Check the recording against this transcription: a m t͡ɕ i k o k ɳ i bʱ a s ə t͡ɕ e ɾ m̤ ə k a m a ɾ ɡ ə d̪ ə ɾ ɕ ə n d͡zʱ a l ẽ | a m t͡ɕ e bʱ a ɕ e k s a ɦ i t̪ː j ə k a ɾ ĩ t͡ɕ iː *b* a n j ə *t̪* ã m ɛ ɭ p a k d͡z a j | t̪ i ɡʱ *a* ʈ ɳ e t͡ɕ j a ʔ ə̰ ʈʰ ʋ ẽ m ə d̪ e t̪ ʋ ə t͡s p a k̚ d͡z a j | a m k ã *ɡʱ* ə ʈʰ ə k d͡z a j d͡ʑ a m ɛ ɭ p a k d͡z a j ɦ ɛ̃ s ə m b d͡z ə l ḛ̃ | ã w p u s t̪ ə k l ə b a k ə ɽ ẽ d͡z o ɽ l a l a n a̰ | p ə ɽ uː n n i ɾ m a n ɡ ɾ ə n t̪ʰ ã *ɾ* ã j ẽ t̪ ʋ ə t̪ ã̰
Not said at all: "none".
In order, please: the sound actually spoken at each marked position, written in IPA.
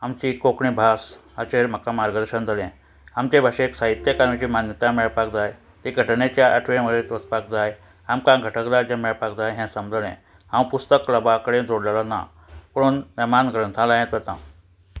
m, t̪, ə, ɡʱ, l

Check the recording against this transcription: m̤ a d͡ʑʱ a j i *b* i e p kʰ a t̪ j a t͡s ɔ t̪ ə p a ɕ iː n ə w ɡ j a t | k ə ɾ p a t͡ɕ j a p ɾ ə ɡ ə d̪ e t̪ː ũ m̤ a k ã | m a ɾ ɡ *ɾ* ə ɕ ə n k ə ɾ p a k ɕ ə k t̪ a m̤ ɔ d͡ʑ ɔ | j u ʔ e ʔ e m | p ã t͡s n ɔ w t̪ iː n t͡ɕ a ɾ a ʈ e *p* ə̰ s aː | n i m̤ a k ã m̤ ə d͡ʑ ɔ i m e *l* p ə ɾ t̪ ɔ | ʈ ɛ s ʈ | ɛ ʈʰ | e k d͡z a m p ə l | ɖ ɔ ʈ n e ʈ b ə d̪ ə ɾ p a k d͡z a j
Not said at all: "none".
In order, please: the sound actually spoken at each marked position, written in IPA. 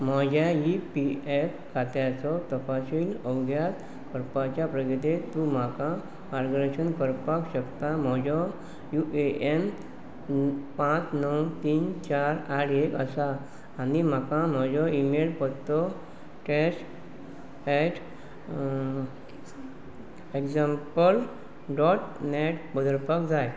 p, ɾ, k, l

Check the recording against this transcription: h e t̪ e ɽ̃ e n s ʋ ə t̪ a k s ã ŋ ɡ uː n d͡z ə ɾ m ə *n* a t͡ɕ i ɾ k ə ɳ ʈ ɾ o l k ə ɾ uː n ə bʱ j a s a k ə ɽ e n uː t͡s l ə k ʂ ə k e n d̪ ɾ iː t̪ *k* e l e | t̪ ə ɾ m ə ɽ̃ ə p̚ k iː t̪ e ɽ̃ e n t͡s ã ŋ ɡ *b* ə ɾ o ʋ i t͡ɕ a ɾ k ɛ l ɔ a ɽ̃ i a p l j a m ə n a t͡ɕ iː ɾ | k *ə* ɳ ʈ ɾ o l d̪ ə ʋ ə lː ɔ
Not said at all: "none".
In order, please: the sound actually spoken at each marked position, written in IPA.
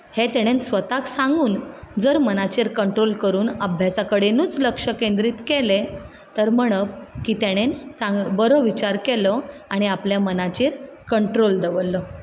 n, k, b, ə

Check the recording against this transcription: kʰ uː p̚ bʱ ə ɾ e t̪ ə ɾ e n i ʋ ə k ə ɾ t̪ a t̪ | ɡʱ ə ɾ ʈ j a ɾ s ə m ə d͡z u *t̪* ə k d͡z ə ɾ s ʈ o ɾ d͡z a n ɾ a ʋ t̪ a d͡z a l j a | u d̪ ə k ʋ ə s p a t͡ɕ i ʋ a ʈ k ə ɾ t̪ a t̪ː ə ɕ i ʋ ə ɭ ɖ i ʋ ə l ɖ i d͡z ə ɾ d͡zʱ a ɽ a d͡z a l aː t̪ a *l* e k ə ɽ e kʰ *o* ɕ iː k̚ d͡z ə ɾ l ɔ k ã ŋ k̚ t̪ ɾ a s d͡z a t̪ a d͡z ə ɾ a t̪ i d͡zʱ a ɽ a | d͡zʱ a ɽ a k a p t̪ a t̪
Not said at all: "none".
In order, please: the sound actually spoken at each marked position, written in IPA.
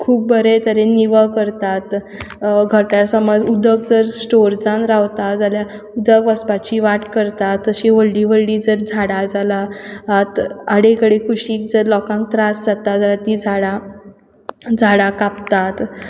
d̪, ɽ, u

